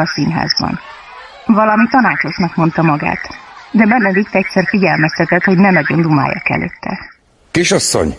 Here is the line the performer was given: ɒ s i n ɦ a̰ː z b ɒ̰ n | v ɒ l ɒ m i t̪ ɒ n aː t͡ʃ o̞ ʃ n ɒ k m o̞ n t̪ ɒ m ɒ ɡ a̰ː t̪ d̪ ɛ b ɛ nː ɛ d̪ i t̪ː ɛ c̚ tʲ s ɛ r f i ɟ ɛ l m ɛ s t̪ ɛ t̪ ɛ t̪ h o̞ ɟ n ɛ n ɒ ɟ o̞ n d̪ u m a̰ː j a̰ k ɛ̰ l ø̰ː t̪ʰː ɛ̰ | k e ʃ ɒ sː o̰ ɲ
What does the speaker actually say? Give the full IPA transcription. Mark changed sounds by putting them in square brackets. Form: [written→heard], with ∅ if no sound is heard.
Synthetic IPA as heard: ɒ s i n ɦ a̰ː z b ɒ̰ n | v ɒ l ɒ m i t̪ ɒ n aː t͡ʃ o̞ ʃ n ɒ k m o̞ n t̪ ɒ m ɒ ɡ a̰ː t̪ d̪ ɛ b ɛ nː ɛ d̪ i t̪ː ɛ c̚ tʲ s ɛ r f i ɟ ɛ l m ɛ s t̪ ɛ t̪ ɛ t̪ h o̞ ɟ n ɛ n ɒ ɟ o̞ n d̪ u m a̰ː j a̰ k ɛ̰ l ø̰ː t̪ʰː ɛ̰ | k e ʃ ɒ sː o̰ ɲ